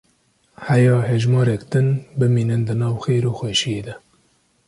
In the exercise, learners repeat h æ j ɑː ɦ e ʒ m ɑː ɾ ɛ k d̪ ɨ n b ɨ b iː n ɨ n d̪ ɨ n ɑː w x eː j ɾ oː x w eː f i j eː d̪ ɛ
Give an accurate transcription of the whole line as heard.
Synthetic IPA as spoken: h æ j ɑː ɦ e ʒ m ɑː ɾ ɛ k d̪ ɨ n b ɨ m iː n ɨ n d̪ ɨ n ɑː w x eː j ɾ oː x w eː ʃ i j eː d̪ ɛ